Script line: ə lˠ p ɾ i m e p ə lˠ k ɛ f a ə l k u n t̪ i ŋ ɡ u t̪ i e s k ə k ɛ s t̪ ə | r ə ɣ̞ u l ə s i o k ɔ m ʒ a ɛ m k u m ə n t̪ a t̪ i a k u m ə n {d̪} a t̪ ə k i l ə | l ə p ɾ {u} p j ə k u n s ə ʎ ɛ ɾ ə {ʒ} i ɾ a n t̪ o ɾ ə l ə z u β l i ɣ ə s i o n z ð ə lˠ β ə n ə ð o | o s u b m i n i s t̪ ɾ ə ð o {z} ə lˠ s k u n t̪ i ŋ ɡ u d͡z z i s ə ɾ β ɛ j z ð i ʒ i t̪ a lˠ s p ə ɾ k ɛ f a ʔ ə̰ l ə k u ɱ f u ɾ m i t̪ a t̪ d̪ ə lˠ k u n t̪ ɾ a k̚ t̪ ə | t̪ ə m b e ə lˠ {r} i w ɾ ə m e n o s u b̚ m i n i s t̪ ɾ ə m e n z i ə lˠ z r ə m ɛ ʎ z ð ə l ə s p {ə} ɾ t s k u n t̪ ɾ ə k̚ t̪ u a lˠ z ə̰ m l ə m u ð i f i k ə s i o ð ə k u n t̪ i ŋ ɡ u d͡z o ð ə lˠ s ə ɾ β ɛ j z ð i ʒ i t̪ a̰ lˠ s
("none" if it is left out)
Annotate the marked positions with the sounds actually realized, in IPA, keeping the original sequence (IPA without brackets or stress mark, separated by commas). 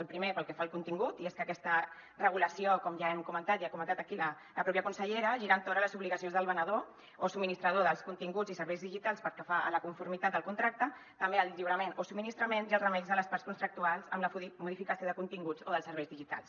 t̪, ɔ, ʒ, ð, ʎ, a